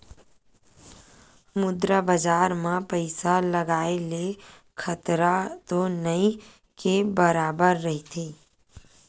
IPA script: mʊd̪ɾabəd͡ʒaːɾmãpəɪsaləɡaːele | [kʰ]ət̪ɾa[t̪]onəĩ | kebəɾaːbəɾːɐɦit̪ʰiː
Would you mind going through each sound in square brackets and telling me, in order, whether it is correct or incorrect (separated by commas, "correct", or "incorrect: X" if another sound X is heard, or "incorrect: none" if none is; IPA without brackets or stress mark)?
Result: correct, correct